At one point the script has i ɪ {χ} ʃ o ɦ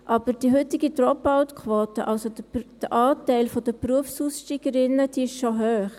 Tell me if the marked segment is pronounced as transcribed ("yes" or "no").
no